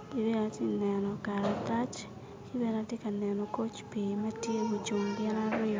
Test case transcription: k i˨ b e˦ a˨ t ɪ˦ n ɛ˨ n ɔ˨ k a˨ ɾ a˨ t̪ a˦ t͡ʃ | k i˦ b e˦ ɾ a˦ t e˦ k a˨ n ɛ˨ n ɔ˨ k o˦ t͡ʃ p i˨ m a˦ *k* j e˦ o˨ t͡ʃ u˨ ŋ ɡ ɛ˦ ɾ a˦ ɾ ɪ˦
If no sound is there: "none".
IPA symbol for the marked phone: t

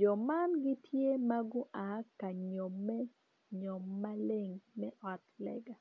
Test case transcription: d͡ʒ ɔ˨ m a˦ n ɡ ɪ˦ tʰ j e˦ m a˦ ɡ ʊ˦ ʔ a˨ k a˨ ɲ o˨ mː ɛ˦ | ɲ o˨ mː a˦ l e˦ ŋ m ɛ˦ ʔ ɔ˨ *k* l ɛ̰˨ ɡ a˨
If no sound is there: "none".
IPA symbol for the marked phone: t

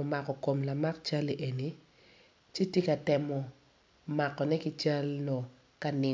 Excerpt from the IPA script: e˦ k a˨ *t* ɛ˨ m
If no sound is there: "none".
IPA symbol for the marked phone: t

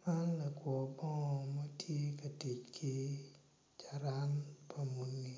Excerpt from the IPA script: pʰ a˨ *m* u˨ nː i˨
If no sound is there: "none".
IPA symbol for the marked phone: m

